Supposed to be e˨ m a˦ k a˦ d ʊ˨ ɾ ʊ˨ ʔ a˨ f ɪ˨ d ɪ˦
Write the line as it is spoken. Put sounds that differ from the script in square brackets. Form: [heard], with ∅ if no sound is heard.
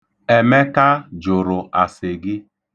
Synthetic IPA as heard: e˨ m [e˦] k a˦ [d͡ʒ] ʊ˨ ɾ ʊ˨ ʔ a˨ [s] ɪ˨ [ɡ] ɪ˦